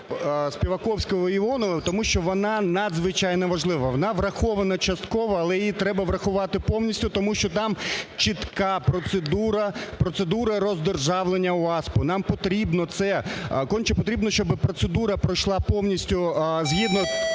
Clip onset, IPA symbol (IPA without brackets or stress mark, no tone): s